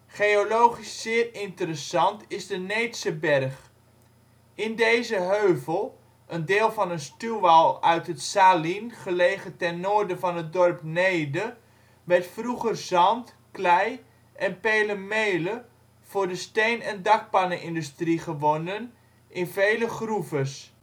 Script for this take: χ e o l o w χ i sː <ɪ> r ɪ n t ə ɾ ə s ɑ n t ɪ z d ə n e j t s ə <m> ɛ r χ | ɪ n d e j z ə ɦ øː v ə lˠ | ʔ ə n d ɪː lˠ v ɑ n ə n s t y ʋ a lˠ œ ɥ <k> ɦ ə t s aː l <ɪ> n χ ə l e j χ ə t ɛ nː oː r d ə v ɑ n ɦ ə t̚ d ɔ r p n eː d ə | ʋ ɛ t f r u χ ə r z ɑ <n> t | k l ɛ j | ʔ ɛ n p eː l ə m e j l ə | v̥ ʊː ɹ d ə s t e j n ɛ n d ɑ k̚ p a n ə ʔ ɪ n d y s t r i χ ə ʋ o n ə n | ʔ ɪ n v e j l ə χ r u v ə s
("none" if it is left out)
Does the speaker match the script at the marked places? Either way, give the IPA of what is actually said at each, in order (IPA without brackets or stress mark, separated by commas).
ɪː, b, t, i, n